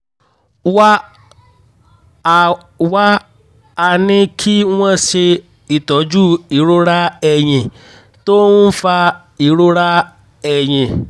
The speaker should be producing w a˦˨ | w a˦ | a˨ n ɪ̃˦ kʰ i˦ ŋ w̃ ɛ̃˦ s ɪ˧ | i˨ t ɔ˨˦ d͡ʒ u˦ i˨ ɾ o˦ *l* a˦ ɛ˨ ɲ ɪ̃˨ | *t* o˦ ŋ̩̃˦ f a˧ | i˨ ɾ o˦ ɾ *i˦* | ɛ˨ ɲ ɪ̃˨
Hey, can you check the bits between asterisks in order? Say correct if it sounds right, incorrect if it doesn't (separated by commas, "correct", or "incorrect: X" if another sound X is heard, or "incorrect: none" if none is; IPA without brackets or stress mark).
incorrect: ɾ, correct, incorrect: a˦